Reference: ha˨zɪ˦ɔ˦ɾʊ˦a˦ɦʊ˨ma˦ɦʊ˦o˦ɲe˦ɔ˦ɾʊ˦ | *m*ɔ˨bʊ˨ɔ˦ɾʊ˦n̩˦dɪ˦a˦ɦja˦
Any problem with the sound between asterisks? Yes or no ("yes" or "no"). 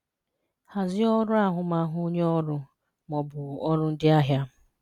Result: no